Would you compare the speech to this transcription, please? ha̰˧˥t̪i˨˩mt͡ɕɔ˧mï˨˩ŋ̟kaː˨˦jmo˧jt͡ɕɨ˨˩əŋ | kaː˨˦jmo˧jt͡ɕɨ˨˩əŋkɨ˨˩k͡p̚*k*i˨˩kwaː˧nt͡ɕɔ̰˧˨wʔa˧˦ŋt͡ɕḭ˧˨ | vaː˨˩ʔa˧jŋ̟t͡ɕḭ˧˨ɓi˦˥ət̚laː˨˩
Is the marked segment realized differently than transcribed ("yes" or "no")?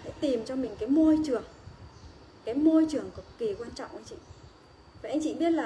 no